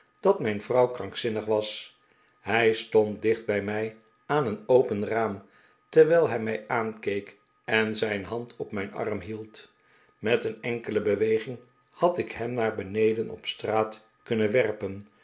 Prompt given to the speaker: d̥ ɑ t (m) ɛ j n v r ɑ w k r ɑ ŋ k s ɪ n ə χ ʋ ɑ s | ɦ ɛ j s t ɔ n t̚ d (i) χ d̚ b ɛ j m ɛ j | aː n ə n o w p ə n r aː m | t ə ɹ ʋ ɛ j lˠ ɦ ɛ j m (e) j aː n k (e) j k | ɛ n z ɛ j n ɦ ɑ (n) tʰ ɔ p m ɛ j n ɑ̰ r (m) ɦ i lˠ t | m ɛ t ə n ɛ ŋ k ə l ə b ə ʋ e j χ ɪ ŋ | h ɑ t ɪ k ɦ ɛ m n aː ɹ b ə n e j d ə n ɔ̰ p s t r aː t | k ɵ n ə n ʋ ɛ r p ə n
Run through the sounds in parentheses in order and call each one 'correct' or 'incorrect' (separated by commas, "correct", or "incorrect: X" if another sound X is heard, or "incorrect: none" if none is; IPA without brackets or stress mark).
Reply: correct, incorrect: ɪ, incorrect: ɛ, correct, correct, correct